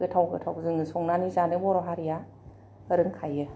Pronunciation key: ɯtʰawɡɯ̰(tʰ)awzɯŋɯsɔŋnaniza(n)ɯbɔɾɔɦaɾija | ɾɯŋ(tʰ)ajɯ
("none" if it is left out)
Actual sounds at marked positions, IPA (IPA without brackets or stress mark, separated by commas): tʰ, n, kʰ